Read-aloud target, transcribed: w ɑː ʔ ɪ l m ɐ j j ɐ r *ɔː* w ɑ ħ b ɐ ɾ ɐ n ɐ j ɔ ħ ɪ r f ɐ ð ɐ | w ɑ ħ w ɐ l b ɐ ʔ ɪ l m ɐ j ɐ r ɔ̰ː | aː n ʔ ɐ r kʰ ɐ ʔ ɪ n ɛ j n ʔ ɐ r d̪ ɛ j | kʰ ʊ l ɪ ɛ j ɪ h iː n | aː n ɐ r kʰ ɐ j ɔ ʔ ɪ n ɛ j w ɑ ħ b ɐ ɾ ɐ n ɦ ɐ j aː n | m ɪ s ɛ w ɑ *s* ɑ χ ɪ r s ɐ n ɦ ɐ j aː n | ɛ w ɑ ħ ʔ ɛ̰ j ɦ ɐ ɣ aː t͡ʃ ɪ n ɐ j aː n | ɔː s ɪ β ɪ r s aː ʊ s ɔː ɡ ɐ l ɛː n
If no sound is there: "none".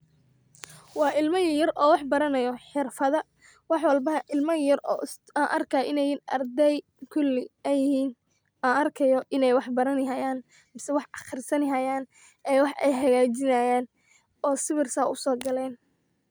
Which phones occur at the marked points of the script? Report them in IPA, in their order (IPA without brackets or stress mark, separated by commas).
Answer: ɔː, ħ